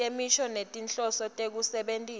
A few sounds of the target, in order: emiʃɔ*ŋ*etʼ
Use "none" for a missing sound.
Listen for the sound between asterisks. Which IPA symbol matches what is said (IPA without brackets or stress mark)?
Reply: n